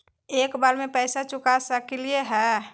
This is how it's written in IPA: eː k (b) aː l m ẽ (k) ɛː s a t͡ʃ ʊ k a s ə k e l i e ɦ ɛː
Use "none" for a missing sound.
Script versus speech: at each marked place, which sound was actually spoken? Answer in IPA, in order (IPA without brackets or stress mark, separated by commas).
b, p